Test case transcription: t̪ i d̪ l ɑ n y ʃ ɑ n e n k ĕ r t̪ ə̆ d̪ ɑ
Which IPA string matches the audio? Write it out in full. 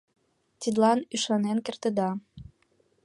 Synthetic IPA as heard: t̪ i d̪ l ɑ n y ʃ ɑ n e n k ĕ r t̪ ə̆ d̪ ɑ

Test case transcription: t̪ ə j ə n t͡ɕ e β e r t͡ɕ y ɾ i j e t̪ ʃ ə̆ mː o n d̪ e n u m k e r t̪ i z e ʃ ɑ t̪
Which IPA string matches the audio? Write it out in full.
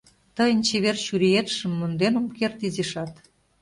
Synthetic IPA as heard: t̪ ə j ə n t͡ɕ e β e r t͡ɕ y ɾ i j e t̪ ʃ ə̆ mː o n d̪ e n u m k e r t̪ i z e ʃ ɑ t̪

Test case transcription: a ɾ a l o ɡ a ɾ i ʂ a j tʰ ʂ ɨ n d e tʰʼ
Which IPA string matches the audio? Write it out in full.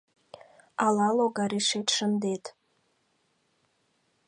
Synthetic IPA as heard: a l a l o ɡ a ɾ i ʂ e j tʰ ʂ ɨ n d e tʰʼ

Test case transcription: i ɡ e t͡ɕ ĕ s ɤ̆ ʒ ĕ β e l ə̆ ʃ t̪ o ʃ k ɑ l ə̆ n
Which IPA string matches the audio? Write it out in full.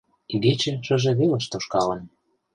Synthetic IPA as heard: i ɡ e t͡ɕ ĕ ʃ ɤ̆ ʒ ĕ β e l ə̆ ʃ t̪ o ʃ k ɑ l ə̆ n

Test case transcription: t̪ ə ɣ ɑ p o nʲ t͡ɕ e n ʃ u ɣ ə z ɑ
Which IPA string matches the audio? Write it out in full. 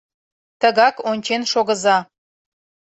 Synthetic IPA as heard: t̪ ə ɣ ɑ k o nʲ t͡ɕ e n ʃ o ɣ ə z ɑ

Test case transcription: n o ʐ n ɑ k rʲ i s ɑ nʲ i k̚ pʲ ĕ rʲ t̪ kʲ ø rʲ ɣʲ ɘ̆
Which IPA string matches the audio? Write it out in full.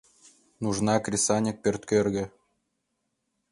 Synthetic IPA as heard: n u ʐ n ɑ k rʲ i s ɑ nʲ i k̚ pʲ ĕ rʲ t̪ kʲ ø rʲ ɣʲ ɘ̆

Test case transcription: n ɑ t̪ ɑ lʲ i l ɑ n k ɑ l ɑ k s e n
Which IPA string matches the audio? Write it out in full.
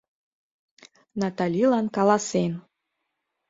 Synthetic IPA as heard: n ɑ t̪ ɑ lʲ i l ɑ n k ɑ l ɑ s e n

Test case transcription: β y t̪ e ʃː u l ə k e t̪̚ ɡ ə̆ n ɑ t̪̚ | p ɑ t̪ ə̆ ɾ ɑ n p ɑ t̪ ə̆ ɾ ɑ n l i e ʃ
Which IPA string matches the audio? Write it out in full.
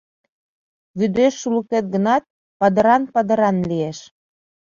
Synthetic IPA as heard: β y d̪ e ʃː u l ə k e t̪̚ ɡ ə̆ n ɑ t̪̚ | p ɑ d̪ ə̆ ɾ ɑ n p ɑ d̪ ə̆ ɾ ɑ n l i e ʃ

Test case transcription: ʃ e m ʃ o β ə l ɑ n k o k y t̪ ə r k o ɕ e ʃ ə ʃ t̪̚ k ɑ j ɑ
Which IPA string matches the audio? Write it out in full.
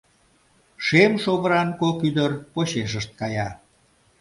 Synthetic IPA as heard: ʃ e m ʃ o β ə ɾ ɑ n k o k y d̪ ə r p o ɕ e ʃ ə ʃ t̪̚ k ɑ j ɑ

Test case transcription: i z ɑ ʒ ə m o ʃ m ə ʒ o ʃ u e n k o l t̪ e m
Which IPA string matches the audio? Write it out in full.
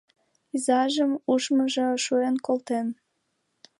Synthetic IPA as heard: i z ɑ ʒ ə m u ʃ m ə ʒ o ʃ u e n k o l t̪ e n

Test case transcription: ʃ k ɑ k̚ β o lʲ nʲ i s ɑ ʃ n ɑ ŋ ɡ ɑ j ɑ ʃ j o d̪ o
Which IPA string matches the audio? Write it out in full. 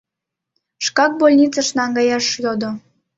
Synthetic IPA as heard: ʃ k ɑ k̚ b o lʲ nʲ i t͡s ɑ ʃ n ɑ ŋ ɡ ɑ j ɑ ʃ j o d̪ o

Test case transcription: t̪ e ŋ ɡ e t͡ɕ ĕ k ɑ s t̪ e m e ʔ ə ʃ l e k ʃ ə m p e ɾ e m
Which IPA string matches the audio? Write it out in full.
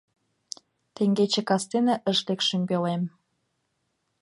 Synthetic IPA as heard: t̪ e ŋ ɡ e t͡ɕ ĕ k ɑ s t̪ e n e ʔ ə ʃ l e k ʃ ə m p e l e m

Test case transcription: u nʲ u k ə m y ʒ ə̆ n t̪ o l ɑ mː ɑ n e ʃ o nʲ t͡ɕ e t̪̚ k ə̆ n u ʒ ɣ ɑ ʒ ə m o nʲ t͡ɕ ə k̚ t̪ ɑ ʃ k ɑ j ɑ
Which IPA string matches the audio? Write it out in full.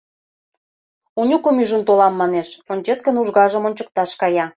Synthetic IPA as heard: u nʲ u k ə m y ʒ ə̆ n t̪ o l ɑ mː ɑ n e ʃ o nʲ t͡ɕ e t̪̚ k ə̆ n u ʒ ɣ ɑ ʒ ə m o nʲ t͡ɕ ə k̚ t̪ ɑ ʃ k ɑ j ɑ

